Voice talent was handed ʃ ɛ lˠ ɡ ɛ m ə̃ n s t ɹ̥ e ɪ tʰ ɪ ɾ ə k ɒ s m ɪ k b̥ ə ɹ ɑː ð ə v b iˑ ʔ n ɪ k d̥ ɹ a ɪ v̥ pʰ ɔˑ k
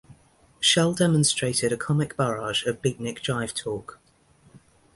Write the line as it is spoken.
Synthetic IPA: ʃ ɛ lˠ d ɛ m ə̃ n s t ɹ̥ e ɪ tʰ ɪ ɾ ə kʰ ɒ m ɪ k b̥ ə ɹ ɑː ʒ ə v b iˑ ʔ n ɪ k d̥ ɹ a ɪ v̥ tʰ ɔˑ k